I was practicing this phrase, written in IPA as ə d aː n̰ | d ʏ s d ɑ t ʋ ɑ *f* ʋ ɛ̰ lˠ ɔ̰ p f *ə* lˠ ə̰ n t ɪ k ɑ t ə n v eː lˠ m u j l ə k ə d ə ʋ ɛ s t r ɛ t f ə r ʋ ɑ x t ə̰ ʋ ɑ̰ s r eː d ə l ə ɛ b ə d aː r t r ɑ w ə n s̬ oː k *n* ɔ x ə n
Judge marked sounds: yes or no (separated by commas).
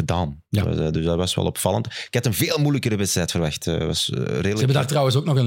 no, no, yes